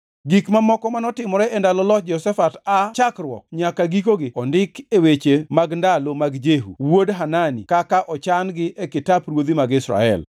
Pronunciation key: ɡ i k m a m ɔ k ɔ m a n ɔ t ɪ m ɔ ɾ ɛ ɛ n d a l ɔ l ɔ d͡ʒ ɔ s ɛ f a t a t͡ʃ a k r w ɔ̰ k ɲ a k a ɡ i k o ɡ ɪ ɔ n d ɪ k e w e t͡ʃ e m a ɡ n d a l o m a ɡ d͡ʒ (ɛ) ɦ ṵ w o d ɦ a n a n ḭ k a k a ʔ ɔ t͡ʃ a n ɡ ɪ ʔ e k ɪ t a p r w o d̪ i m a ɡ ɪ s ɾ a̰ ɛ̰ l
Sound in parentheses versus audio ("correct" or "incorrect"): incorrect